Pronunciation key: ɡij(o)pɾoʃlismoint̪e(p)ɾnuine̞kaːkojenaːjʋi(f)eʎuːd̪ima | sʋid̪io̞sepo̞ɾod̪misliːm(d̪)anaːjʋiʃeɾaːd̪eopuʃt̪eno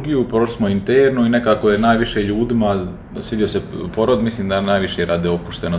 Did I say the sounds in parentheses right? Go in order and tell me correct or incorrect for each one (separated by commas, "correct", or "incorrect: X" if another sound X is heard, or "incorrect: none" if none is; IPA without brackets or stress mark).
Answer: incorrect: u, incorrect: none, incorrect: ʃ, correct